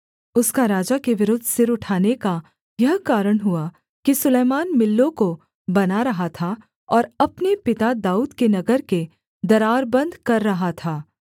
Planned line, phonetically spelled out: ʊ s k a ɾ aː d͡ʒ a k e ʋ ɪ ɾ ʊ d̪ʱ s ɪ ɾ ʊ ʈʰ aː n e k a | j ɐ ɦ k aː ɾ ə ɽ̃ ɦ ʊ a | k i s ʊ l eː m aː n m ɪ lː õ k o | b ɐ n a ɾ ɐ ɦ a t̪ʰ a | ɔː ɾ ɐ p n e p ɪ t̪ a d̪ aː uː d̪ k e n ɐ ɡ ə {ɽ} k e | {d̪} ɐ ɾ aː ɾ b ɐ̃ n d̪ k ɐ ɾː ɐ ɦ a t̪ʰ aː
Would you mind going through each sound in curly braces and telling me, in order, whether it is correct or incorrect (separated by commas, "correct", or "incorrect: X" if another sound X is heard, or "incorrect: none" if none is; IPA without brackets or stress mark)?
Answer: incorrect: ɾ, correct